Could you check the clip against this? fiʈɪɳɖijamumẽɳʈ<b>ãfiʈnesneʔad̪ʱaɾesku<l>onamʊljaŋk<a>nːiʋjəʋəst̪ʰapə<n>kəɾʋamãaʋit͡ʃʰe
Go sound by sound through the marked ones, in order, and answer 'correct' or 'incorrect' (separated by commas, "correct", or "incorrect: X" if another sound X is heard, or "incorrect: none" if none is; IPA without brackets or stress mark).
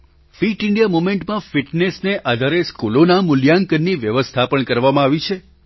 incorrect: m, correct, incorrect: ə, incorrect: ɳ